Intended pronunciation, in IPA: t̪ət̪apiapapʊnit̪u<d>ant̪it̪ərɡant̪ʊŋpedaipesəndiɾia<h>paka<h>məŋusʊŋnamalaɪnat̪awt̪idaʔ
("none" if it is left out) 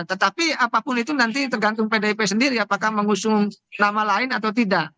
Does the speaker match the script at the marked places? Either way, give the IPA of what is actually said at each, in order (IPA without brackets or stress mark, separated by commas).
n, none, h